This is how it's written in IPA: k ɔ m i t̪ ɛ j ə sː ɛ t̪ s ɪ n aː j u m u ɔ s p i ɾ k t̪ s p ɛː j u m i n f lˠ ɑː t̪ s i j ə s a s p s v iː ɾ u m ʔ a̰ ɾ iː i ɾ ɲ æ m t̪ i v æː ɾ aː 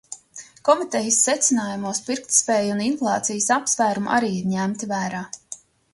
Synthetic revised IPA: k ɔ m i t̪ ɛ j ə sː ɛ t̪ s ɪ n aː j u m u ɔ s p i ɾ k t̪ s p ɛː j u n i n f lˠ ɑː t̪ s i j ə s a p s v æː ɾ u m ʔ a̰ ɾ iː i ɾ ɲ æ m t̪ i v æː ɾ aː